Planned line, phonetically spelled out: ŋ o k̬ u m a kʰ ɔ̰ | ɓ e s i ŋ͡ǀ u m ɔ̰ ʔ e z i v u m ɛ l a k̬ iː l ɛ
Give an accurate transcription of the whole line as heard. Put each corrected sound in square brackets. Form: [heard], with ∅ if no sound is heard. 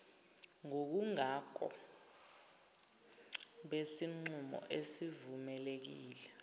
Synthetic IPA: ŋ o k̬ u [ŋ] a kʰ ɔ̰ | ɓ e s i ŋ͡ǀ u m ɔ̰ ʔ e [s] i v u m ɛ l [e] k̬ iː l ɛ